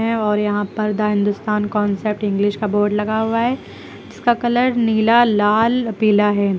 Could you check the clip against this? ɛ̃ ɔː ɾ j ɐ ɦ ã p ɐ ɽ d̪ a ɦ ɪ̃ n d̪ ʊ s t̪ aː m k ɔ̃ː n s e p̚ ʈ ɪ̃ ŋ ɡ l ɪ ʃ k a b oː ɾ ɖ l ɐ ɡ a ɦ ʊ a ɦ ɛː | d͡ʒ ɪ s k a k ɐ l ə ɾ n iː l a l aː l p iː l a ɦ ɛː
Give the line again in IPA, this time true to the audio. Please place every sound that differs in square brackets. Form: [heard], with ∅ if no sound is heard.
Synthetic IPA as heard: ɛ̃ ɔː ɾ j ɐ ɦ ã p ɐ [ɾ] d̪ a ɦ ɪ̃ n d̪ ʊ s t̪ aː [n] k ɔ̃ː n s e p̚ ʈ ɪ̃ ŋ ɡ l ɪ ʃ k a b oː ɾ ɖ l ɐ ɡ a ɦ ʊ a ɦ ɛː | d͡ʒ ɪ s k a k ɐ l ə ɾ n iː l a l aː l p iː l a ɦ ɛː

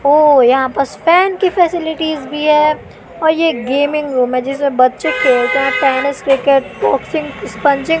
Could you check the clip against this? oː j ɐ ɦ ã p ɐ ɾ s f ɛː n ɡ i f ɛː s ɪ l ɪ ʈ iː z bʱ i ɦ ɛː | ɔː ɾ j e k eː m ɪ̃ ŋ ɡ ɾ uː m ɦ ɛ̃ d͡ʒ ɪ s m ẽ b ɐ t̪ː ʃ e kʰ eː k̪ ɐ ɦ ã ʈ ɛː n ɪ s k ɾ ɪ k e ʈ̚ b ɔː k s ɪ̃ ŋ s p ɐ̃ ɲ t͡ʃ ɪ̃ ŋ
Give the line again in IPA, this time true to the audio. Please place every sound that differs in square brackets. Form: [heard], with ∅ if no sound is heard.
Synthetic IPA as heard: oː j ɐ ɦ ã p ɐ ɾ s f ɛː n [k] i f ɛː s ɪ l ɪ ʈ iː z bʱ i ɦ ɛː | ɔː ɾ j e [ɡ] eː m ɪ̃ ŋ ɡ ɾ uː m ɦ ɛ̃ d͡ʒ ɪ s m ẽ b ɐ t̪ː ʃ e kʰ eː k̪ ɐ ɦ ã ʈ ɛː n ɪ s k ɾ ɪ k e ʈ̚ b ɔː k s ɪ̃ ŋ s p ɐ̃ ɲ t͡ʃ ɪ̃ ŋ

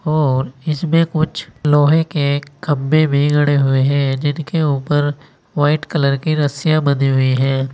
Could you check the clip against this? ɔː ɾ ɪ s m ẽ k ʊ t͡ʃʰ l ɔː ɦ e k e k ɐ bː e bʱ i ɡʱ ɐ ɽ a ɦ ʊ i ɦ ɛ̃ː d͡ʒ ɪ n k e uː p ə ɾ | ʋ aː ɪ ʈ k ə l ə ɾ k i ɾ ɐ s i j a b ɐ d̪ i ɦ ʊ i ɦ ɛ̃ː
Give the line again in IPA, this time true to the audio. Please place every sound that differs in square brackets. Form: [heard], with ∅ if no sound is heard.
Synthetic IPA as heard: ɔː ɾ ɪ s m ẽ k ʊ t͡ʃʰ l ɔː ɦ e k e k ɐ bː e bʱ i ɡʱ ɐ ɽ [e] ɦ ʊ [e] ɦ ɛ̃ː d͡ʒ ɪ n k e uː p ə ɾ | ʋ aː ɪ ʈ k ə l ə ɾ k i ɾ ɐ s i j a b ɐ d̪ i ɦ ʊ i ɦ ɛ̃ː

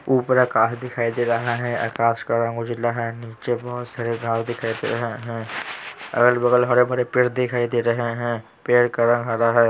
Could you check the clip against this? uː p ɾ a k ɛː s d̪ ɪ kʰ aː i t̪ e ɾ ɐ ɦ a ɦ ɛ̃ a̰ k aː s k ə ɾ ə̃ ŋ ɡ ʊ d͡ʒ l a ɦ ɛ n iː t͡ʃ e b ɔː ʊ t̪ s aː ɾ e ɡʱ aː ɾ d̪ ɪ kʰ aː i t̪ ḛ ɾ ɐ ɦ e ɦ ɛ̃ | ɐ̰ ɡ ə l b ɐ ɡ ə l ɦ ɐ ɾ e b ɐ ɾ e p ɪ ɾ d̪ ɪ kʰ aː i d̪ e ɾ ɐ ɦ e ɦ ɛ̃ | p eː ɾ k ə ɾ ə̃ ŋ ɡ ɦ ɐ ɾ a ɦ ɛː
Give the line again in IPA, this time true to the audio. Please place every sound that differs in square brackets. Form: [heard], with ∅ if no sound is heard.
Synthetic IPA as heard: uː p ɾ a k [aː] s d̪ ɪ kʰ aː i [d̪] e ɾ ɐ ɦ a ɦ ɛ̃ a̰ k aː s k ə ɾ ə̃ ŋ ɡ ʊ d͡ʒ l a ɦ ɛ n iː t͡ʃ e b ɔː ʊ t̪ s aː ɾ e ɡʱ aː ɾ d̪ ɪ kʰ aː i [d̪] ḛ ɾ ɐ ɦ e ɦ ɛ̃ | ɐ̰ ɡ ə l b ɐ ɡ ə l ɦ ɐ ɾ e b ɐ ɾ e p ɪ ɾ d̪ ɪ kʰ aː i d̪ e ɾ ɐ ɦ e ɦ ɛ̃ | p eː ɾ k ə ɾ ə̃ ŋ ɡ ɦ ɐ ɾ a ɦ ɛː

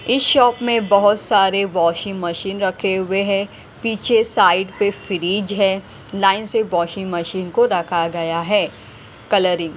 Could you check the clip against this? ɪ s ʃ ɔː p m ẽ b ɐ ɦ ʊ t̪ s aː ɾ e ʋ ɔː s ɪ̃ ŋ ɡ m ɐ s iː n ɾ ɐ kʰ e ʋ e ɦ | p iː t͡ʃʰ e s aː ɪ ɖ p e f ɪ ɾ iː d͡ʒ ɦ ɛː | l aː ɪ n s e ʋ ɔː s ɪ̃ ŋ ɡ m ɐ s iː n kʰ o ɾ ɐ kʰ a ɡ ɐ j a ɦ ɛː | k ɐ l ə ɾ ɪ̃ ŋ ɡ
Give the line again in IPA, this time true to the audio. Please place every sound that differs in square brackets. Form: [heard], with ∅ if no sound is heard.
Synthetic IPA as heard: ɪ s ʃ ɔː p m ẽ b ɐ ɦ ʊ t̪ s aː ɾ e ʋ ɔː [ʃ] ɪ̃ ŋ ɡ m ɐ [ʃ] iː n ɾ ɐ kʰ e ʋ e ɦ | p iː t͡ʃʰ e s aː ɪ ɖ p e f ɪ ɾ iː d͡ʒ ɦ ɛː | l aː ɪ n s e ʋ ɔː [ʃ] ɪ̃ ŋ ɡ m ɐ [ʃ] iː n [k] o ɾ ɐ kʰ a ɡ ɐ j a ɦ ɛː | k ɐ l ə ɾ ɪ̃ ŋ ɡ

